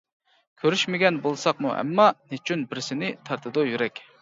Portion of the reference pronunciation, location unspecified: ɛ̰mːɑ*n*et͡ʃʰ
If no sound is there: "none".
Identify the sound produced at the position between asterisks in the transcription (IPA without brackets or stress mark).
n